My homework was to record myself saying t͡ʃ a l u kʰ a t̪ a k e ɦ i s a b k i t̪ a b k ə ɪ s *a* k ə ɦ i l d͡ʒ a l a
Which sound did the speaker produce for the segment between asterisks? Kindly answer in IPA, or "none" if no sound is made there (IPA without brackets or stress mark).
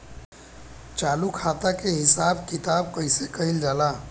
e